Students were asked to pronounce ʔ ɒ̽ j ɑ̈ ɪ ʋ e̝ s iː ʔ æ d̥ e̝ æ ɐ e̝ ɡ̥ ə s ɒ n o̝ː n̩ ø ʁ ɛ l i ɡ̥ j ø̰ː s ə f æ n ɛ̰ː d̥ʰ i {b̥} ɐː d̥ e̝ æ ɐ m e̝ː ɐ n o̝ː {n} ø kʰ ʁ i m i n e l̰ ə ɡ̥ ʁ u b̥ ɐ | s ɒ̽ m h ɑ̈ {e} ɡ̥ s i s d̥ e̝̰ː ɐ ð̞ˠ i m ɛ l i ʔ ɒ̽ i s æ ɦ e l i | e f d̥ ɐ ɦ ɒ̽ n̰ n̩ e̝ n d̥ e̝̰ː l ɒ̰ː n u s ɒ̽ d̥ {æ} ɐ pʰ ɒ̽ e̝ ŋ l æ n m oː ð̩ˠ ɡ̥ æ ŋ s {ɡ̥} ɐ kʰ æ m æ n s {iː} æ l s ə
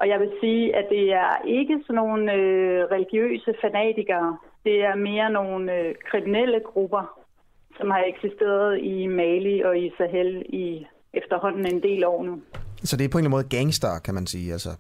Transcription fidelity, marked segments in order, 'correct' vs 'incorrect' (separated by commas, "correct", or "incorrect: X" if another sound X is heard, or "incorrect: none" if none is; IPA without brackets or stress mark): incorrect: ɡ̥, correct, correct, incorrect: e, incorrect: d̥, correct